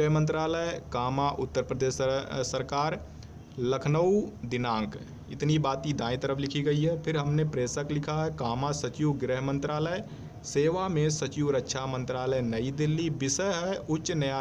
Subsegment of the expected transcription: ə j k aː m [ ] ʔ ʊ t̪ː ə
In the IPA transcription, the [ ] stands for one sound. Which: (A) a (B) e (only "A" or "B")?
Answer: A